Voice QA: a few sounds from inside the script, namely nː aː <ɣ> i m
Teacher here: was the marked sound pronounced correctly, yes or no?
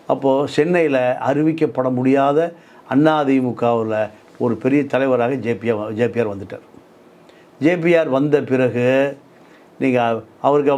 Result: no